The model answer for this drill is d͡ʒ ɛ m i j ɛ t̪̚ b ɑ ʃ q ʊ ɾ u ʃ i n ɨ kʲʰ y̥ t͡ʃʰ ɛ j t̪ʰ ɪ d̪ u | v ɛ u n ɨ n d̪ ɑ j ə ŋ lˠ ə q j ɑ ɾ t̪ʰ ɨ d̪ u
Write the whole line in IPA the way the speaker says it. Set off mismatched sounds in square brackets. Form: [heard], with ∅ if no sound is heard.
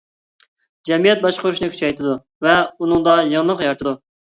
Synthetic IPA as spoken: d͡ʒ ɛ m i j ɛ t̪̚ b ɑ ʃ q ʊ ɾ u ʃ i n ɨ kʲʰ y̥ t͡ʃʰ ɛ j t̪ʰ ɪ d̪ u | v ɛ u n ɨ [ŋ] d̪ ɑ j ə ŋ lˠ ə q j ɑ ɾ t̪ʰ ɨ d̪ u

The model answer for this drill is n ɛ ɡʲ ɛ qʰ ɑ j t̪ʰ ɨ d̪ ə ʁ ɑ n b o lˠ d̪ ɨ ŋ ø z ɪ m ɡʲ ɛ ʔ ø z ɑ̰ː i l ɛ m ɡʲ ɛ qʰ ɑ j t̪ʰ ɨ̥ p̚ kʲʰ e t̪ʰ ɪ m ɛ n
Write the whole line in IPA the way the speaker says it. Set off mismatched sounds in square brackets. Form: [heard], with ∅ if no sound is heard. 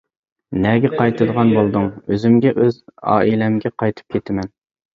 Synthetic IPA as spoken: n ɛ ɡʲ ɛ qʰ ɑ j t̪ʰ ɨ d̪ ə ʁ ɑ n b o lˠ d̪ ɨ ŋ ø z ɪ m ɡʲ ɛ ʔ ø z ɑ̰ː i l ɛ m ɡʲ ɛ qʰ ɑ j t̪ʰ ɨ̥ p̚ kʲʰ e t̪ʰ ɪ m ɛ n

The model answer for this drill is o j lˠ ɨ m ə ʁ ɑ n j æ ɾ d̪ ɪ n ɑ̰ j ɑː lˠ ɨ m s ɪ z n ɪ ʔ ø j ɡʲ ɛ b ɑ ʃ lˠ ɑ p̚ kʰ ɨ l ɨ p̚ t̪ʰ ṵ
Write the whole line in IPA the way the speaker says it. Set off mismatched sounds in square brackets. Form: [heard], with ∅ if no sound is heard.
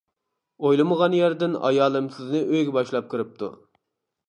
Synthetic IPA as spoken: o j lˠ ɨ m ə ʁ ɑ n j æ ɾ d̪ ɪ n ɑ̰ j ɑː lˠ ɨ m s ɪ z n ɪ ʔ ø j ɡʲ ɛ b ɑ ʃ lˠ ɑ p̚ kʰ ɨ [ɾ] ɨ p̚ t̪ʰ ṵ

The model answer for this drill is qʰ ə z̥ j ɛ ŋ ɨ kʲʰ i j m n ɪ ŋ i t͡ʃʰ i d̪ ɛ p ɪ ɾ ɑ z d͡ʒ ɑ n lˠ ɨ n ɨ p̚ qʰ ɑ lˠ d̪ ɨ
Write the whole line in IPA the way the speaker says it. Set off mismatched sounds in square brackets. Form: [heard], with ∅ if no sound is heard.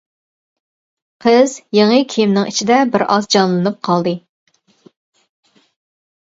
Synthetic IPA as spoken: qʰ ə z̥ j [e] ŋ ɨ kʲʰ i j m n ɪ ŋ i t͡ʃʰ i d̪ ɛ [b] ɪ ɾ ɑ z d͡ʒ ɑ n lˠ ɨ n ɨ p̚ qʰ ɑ lˠ d̪ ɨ

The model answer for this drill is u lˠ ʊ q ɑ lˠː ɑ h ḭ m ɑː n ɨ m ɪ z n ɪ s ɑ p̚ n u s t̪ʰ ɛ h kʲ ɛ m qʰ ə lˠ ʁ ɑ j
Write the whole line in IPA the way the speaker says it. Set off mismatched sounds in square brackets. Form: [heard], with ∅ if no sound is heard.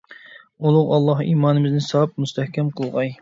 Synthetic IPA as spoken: u lˠ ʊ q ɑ lˠː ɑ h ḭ m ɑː n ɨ m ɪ z n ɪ s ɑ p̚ [m] u s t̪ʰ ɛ h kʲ ɛ m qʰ ə lˠ ʁ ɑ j

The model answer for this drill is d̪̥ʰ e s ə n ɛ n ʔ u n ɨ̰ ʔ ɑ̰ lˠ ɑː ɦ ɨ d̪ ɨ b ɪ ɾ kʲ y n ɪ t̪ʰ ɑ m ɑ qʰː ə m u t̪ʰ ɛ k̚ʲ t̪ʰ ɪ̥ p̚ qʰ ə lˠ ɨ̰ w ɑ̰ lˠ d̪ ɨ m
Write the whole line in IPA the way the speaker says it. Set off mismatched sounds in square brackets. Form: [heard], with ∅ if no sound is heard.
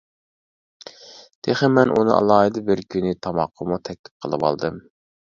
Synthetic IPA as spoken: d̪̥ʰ e [χ] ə [m] ɛ n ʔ u n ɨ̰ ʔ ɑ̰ lˠ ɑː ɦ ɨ d̪ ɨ b ɪ ɾ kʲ y n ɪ t̪ʰ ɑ m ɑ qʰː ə m u t̪ʰ ɛ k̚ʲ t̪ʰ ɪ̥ p̚ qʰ ə lˠ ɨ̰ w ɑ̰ lˠ d̪ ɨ m

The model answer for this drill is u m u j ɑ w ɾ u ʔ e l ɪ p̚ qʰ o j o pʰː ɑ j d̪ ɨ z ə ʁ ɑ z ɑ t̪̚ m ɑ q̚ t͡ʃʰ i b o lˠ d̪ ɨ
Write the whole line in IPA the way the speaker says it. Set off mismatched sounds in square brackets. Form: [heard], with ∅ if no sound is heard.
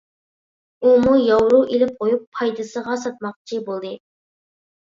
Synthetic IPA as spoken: u m u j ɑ w ɾ u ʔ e l ɪ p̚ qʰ o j [u] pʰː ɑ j d̪ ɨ [s] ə ʁ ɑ [s] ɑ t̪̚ m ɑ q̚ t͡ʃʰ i b o lˠ d̪ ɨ

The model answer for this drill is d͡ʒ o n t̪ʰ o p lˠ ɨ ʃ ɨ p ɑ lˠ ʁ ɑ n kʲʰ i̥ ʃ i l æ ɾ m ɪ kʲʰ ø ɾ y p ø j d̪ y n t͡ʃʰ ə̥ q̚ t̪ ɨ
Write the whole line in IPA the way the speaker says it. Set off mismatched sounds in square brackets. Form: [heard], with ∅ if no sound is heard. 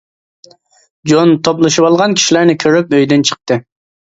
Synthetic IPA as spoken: d͡ʒ o n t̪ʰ o p lˠ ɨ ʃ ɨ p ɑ lˠ ʁ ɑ n kʲʰ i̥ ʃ i l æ ɾ [n] ɪ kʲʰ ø ɾ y p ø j d̪ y n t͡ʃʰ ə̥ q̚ t̪ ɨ

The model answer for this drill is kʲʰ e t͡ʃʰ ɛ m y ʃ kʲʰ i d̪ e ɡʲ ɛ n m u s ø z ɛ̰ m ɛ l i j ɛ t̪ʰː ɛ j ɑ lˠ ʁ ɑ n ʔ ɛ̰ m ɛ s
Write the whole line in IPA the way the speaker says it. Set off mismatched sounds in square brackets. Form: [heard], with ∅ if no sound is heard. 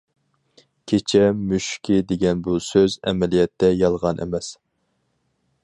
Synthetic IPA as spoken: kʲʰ e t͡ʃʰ ɛ m y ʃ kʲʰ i d̪ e ɡʲ ɛ n [b] u s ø z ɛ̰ m ɛ l i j ɛ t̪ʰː ɛ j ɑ lˠ ʁ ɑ n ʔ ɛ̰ m ɛ s

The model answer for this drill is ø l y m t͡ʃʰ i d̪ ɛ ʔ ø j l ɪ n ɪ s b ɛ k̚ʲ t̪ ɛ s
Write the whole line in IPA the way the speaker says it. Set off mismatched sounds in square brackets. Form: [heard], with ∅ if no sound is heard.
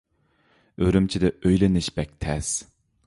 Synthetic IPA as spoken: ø [ɾ] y m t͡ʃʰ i d̪ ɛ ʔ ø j l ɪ n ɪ [ʃ] b ɛ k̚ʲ [t̪ʰ] ɛ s

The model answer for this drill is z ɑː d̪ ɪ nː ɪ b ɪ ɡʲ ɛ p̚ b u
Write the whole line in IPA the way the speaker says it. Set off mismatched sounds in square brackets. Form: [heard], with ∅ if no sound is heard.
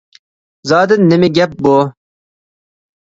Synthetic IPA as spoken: z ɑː d̪ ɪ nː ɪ [m] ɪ ɡʲ ɛ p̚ b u

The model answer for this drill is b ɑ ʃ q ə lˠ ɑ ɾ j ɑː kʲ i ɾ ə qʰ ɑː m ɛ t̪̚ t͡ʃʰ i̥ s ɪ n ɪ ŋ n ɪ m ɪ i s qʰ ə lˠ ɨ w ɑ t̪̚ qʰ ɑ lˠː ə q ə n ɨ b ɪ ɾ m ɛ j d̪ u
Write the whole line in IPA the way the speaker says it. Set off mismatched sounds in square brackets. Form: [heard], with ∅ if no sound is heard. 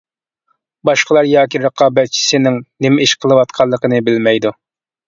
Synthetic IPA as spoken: b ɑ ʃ q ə lˠ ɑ ɾ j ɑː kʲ i ɾ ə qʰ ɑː [b] ɛ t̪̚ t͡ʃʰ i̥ s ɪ n ɪ ŋ n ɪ m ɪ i [ʃ] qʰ ə lˠ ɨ w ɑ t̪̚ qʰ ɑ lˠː ə q ə n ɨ b ɪ [l] m ɛ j d̪ u

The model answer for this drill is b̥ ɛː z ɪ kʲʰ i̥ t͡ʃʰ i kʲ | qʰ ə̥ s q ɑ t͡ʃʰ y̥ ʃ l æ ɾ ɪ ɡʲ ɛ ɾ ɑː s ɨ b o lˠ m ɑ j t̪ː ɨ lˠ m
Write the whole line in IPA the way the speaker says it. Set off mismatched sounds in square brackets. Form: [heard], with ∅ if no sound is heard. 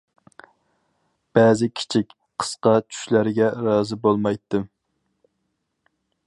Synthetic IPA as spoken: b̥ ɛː z ɪ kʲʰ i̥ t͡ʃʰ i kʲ | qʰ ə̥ s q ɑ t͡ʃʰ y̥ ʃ l æ ɾ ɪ ɡʲ ɛ ɾ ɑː [z] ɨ b o lˠ m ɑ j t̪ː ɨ [∅] m

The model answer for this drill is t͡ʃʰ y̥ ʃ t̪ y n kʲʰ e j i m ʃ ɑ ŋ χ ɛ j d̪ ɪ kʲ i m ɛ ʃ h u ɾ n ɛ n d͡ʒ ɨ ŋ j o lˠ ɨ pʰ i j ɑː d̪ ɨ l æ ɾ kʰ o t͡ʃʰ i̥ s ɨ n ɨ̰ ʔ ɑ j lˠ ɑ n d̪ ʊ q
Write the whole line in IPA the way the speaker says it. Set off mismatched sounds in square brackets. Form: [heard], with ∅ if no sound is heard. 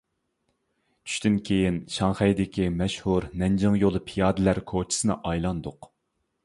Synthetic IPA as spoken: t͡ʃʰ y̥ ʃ t̪ y n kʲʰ e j i [n] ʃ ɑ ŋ χ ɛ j d̪ ɪ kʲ i m ɛ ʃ h u ɾ n ɛ n d͡ʒ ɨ ŋ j o lˠ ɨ pʰ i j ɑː d̪ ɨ l æ ɾ kʰ o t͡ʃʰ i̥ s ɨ n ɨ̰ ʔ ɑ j lˠ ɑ n d̪ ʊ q

